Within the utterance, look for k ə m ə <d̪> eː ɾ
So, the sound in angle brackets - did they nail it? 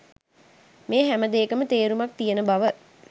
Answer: no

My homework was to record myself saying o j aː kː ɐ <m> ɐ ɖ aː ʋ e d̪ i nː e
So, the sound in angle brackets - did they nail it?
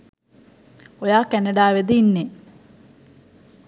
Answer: no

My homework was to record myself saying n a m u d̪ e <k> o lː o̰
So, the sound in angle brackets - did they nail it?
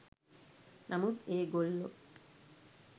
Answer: no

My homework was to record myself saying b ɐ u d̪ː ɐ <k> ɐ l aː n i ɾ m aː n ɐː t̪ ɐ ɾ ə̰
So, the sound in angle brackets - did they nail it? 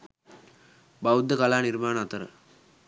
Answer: yes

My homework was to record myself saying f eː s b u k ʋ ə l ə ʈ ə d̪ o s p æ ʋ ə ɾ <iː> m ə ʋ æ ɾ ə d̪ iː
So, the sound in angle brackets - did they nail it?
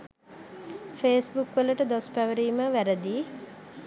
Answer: yes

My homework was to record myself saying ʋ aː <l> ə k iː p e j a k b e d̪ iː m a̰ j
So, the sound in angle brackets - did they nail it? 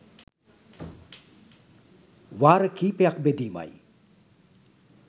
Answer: no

